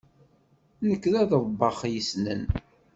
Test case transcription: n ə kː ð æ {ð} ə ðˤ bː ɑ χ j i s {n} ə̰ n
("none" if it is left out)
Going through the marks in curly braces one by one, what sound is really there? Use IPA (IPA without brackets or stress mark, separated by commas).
ð, n